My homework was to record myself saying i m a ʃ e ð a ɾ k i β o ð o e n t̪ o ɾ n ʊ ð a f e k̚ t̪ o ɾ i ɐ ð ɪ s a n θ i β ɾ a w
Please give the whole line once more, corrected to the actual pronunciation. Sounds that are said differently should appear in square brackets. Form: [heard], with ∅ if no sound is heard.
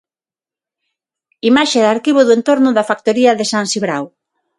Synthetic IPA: i m a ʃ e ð a ɾ k i β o ð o e n t̪ o ɾ n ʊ ð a f [a] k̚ t̪ o ɾ i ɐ ð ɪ s a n [s] i β ɾ a w